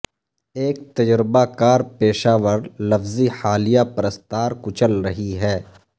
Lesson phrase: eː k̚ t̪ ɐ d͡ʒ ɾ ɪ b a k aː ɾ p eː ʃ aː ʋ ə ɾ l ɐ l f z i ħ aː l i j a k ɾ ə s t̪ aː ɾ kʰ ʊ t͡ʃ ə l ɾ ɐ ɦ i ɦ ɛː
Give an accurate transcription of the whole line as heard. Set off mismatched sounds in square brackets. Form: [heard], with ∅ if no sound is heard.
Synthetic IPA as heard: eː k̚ t̪ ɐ d͡ʒ ɾ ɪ b a k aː ɾ p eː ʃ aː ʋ ə ɾ l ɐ [∅] f z i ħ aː l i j a [p] ɾ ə s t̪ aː ɾ [k] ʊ t͡ʃ ə l ɾ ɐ ɦ i ɦ ɛː